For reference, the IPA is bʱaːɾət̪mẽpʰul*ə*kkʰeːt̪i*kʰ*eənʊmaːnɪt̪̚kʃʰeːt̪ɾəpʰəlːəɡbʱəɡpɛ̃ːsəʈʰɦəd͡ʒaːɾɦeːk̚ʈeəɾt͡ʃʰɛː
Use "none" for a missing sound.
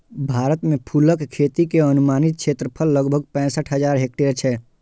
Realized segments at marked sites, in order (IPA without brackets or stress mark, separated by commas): ə, k